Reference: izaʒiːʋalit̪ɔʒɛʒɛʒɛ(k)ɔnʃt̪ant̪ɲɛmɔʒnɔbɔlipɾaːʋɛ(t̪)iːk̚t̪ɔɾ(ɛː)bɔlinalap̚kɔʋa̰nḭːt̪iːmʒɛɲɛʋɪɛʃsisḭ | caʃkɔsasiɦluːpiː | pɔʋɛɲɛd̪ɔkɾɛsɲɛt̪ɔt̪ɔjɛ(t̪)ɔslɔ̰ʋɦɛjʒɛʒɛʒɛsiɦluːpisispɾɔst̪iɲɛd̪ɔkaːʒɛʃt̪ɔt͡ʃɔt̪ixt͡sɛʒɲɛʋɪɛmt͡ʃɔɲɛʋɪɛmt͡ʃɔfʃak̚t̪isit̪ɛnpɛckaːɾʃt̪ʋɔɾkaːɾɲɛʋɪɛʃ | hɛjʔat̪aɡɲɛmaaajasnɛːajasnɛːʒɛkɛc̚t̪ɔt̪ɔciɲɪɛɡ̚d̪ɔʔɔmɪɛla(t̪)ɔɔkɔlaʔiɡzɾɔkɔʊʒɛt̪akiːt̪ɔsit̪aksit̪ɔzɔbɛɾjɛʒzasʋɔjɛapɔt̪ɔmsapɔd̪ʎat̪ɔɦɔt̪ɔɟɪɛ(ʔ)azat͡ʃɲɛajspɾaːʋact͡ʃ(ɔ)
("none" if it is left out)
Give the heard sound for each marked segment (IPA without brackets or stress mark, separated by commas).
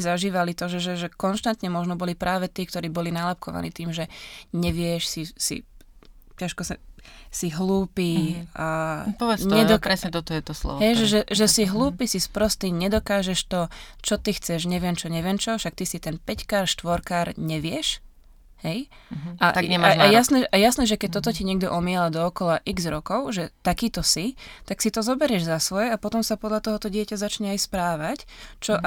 k, t̪, iː, t̪, d̪, c, ɔ